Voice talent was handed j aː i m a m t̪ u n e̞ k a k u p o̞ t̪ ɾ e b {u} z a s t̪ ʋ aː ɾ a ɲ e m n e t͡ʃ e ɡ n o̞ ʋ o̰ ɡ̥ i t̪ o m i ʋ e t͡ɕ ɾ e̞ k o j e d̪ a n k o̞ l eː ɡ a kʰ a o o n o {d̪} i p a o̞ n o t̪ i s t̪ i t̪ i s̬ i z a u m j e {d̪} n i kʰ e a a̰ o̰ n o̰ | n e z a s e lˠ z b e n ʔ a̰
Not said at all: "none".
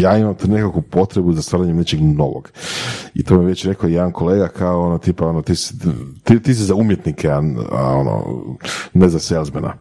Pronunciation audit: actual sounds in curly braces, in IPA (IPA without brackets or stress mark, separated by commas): u, t̪, t̪